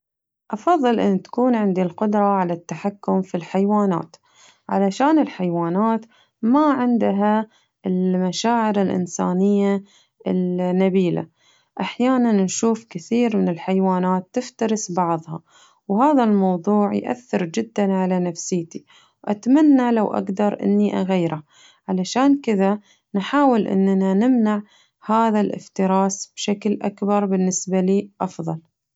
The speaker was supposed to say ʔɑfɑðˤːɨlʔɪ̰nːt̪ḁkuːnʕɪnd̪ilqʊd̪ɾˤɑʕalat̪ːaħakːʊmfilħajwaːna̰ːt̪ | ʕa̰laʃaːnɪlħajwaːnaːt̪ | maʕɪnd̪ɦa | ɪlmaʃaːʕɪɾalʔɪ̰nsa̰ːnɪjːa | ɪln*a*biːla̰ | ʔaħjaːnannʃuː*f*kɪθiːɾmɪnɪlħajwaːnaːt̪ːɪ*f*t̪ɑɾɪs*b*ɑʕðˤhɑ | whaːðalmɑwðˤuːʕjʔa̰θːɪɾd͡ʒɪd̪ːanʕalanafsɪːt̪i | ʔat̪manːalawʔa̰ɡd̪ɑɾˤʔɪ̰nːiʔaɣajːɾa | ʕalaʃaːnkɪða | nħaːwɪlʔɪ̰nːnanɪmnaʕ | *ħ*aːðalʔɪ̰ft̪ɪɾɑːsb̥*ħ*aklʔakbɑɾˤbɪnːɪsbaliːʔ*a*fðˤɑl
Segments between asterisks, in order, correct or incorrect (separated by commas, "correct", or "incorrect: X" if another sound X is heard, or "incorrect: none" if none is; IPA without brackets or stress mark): correct, correct, correct, correct, incorrect: h, incorrect: ʃ, incorrect: ɑ